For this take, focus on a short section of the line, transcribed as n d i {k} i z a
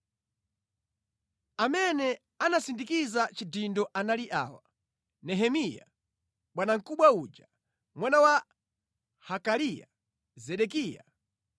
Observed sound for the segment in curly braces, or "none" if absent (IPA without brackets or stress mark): k